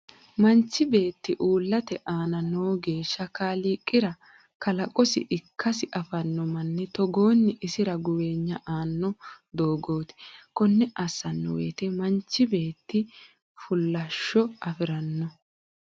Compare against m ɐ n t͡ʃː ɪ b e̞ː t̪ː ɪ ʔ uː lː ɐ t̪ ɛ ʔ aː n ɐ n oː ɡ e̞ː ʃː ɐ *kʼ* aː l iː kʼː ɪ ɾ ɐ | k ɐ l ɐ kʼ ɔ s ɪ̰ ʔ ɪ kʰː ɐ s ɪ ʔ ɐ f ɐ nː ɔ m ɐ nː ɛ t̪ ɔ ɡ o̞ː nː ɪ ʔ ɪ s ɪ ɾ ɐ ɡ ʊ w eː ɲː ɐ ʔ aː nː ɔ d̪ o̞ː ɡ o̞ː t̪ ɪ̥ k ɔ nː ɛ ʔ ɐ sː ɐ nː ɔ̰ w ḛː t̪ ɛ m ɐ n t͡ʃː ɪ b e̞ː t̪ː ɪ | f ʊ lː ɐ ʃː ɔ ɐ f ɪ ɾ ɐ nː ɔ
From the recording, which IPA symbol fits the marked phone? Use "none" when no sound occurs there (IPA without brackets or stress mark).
k